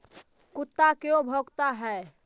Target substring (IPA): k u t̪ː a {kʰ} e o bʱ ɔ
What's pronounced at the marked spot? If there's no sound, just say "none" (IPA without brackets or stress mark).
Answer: k